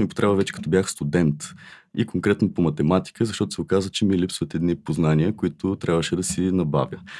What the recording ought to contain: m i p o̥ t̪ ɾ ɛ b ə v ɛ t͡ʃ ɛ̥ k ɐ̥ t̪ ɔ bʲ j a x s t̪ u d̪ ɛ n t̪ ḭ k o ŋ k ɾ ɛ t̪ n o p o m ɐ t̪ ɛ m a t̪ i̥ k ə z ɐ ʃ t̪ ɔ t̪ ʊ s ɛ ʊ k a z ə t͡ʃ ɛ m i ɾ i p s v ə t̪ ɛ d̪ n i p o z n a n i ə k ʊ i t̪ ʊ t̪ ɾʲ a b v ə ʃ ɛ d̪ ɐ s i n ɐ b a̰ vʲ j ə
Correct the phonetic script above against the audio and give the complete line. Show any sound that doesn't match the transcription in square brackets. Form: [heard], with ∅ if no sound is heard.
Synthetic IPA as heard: m i p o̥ t̪ ɾ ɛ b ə v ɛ t͡ʃ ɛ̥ k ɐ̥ t̪ ɔ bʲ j a x s t̪ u d̪ ɛ n t̪ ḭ k o ŋ k ɾ ɛ t̪ n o p o m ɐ t̪ ɛ m a t̪ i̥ k ə z ɐ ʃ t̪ ɔ t̪ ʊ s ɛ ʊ k a z ə t͡ʃ ɛ m i [l] i p s v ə t̪ ɛ d̪ n i p o z n a n i ə k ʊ i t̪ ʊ t̪ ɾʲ a b v ə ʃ ɛ d̪ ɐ s i n ɐ b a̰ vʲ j ə